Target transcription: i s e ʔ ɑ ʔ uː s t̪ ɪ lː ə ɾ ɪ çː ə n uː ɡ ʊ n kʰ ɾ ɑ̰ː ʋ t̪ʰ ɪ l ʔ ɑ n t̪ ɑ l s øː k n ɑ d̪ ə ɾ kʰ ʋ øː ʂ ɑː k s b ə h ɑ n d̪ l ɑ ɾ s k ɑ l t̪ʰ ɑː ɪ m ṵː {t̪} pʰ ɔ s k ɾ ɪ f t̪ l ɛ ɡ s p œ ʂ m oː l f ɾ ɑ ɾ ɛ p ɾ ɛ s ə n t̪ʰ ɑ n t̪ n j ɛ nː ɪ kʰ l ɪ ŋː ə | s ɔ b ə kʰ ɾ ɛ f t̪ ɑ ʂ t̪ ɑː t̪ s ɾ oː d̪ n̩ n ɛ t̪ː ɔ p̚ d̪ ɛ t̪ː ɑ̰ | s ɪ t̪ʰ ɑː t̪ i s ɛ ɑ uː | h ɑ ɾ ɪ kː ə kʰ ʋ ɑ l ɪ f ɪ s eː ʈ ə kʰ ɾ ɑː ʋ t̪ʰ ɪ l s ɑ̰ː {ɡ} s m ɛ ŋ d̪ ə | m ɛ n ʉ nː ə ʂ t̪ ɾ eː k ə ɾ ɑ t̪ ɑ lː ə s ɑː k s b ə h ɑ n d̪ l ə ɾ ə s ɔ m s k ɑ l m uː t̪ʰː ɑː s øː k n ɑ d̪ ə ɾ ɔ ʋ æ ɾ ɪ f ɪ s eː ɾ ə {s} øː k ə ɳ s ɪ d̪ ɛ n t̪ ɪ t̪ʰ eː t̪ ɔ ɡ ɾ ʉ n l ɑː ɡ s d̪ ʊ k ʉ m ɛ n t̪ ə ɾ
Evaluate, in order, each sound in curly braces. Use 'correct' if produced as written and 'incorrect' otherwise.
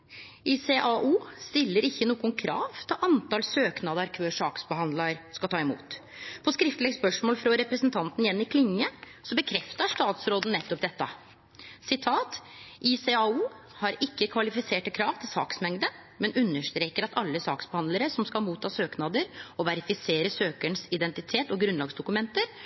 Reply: correct, incorrect, correct

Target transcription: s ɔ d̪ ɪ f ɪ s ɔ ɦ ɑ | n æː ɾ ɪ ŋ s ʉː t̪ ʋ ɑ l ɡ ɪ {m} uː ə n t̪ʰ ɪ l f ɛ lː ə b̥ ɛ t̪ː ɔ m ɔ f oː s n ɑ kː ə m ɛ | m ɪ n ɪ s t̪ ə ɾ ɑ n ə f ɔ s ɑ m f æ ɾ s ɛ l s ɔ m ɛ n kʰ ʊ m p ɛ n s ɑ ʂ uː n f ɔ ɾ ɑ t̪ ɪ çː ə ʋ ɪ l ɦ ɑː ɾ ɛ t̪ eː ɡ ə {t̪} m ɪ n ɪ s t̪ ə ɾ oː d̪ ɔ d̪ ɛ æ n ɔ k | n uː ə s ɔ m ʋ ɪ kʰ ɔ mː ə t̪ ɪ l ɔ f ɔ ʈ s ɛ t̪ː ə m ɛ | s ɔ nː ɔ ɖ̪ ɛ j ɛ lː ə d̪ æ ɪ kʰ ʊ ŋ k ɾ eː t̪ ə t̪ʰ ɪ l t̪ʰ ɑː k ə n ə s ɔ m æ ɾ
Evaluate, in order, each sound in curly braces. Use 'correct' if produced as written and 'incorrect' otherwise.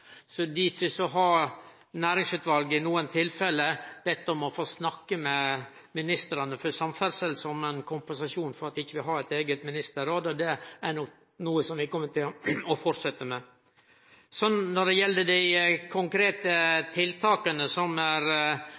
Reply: incorrect, correct

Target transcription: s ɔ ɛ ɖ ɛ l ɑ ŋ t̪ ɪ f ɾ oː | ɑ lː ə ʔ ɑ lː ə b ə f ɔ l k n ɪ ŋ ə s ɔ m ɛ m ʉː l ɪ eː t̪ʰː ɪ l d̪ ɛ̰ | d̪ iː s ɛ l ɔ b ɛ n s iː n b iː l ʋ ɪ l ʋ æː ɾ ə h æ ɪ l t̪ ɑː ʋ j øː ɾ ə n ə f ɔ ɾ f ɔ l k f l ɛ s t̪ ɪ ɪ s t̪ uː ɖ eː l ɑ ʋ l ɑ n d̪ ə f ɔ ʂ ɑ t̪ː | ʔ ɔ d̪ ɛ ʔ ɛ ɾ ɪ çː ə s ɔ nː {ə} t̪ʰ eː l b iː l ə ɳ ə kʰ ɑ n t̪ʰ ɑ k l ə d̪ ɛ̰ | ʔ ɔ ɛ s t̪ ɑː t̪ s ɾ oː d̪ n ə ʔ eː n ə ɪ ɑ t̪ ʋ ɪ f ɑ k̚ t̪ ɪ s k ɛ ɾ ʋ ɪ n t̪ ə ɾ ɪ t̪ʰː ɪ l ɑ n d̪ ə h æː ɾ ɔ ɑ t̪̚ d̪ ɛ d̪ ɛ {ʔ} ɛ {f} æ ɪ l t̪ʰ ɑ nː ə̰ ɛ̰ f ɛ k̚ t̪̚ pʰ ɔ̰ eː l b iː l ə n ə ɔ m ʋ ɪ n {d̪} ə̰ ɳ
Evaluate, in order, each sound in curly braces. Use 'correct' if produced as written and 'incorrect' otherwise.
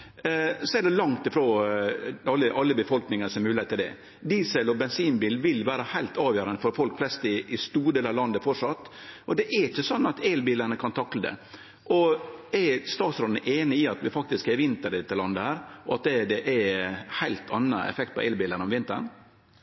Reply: incorrect, correct, incorrect, incorrect

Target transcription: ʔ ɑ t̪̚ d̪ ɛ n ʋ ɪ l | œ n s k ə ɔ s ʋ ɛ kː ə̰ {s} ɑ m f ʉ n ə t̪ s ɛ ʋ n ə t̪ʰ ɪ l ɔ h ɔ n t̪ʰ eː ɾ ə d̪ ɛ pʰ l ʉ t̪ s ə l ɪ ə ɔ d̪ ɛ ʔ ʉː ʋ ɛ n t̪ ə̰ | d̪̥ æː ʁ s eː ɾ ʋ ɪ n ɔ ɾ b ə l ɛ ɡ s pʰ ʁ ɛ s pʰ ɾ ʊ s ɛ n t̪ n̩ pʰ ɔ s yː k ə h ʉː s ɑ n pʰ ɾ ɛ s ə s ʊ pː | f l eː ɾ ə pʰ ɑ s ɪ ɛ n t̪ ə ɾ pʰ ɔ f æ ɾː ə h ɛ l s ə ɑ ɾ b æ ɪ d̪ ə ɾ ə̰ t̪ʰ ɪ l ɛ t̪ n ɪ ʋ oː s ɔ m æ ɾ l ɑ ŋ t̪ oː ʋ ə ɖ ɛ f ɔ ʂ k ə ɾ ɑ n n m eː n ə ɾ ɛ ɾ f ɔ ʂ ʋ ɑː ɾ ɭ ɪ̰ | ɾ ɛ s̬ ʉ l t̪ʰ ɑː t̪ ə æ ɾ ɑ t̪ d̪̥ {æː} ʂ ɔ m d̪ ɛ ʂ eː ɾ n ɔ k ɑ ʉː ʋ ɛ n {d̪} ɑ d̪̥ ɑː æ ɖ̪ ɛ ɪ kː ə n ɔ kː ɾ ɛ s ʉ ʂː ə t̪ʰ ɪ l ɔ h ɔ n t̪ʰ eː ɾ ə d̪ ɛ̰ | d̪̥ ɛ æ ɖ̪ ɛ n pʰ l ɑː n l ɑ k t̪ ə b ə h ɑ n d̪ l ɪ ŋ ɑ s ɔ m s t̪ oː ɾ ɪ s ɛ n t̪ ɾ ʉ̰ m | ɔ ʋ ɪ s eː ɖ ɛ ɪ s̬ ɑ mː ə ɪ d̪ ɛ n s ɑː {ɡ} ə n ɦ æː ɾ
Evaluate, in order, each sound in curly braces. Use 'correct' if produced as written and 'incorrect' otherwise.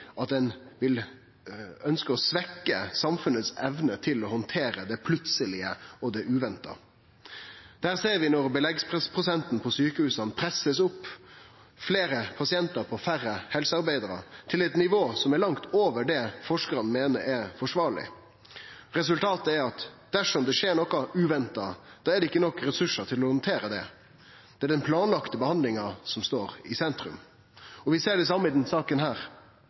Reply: correct, incorrect, incorrect, incorrect

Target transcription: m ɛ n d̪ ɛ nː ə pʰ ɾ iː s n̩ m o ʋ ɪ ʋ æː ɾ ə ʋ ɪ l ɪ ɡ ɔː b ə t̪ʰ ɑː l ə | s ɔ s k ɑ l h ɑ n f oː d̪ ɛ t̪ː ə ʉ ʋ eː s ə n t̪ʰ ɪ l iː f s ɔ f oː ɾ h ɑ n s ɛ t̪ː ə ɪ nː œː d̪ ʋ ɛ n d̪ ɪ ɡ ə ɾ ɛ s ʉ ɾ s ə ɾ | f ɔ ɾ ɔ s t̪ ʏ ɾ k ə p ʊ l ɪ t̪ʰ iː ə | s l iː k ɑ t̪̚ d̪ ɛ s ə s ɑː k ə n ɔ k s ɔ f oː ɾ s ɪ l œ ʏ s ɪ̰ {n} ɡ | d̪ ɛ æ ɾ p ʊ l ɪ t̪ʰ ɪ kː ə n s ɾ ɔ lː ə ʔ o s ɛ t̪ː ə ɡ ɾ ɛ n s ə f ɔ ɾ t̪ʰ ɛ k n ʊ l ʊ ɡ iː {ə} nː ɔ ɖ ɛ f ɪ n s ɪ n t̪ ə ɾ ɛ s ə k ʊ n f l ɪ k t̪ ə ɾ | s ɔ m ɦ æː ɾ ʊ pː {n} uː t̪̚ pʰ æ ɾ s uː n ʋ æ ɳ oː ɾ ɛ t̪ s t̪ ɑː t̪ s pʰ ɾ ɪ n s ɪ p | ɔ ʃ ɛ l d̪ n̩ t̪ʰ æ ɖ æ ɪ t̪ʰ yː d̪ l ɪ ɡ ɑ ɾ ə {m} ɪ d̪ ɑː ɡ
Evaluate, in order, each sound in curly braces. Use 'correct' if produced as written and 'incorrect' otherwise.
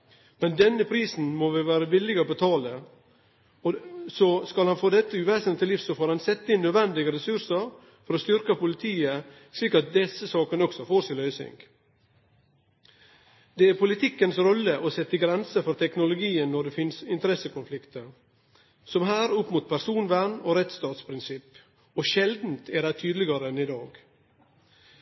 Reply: incorrect, correct, incorrect, incorrect

